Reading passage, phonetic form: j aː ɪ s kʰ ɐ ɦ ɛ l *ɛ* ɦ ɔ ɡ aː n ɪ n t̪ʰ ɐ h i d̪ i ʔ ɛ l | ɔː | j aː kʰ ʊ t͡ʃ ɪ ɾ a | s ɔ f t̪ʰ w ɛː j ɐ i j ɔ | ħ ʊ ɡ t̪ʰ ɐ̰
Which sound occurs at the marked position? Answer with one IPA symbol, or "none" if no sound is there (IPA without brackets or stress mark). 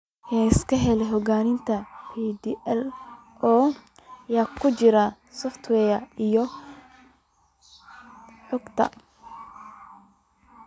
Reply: ɛ